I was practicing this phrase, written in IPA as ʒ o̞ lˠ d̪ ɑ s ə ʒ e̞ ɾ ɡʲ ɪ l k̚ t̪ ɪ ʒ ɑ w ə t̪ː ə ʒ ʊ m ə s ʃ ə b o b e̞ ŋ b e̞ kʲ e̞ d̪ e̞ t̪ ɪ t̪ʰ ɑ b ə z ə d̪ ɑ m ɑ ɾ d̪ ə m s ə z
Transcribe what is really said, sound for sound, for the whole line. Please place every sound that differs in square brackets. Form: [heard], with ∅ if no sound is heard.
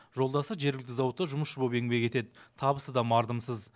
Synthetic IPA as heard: ʒ o̞ lˠ d̪ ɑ s ə ʒ e̞ ɾ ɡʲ ɪ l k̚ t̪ ɪ [z] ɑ w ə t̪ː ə ʒ ʊ m ə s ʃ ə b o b e̞ ŋ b e̞ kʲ e̞ [t̪] e̞ [d̪] ɪ t̪ʰ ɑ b ə [s] ə d̪ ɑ m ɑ ɾ d̪ ə m s ə z